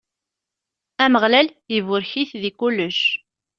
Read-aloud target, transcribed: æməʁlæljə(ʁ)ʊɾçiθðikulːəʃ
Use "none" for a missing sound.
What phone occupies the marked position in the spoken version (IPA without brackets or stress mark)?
v